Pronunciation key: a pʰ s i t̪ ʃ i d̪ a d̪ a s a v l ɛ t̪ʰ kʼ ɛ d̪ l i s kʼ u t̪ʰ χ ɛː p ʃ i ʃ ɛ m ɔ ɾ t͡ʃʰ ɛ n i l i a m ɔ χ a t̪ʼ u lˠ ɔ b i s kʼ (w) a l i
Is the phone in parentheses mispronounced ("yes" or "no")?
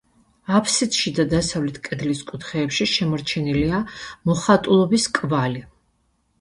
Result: yes